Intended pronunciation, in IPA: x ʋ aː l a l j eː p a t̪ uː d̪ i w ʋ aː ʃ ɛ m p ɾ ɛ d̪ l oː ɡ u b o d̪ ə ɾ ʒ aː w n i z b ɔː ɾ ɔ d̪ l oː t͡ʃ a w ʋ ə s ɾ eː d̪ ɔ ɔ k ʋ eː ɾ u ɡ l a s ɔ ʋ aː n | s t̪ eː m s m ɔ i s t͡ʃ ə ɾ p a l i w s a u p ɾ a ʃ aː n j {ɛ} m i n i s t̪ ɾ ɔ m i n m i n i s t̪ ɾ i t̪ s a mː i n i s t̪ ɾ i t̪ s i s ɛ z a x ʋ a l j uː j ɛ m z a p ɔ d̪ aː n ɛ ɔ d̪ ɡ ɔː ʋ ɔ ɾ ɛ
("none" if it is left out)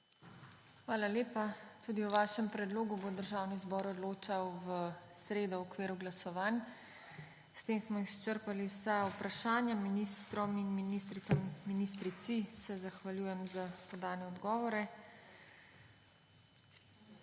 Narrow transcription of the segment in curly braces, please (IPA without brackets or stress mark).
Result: a